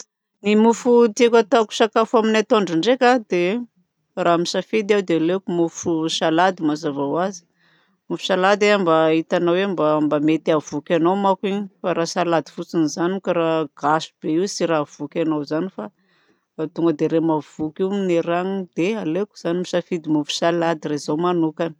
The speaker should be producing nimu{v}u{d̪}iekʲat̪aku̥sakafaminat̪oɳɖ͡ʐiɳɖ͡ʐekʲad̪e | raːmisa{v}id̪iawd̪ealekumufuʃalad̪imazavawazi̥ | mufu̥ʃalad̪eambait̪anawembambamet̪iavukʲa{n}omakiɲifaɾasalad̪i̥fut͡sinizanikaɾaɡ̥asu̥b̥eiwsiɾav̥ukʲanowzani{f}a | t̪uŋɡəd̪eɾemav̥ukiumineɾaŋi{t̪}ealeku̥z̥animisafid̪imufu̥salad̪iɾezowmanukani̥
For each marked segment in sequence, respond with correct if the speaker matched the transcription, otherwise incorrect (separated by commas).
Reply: incorrect, incorrect, incorrect, correct, correct, incorrect